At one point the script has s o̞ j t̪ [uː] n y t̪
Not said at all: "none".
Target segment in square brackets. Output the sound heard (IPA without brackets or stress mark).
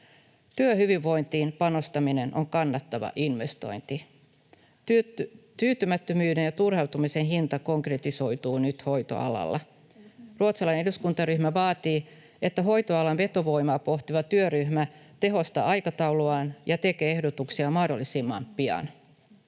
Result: uː